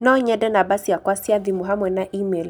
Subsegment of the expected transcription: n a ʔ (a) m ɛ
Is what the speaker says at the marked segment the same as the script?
no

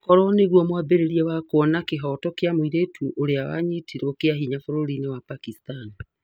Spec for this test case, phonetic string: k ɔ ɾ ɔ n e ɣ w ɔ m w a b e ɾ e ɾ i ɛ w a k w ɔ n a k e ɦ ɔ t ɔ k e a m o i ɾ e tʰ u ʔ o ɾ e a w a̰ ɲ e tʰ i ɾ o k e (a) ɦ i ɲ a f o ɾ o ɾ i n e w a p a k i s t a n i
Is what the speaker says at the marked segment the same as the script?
yes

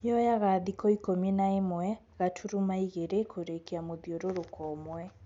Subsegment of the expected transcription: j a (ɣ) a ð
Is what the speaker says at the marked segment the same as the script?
yes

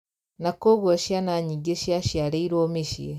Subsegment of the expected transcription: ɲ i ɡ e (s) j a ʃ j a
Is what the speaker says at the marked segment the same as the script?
no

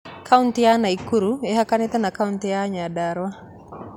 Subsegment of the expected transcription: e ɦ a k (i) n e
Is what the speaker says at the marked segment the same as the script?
no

